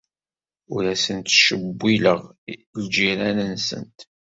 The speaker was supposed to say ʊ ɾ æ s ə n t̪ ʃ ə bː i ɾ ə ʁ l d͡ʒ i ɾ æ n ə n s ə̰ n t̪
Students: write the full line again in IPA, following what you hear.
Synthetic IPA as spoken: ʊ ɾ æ s ə n t̪ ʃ ə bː i l ə ʁ l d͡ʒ i ɾ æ n ə n s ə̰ n t̪